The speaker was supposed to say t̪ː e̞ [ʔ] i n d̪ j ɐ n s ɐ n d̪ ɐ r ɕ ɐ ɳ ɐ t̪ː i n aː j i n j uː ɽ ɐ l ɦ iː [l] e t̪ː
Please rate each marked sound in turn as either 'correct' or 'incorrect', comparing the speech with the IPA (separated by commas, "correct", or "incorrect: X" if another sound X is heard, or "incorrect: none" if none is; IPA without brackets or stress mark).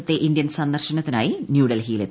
correct, correct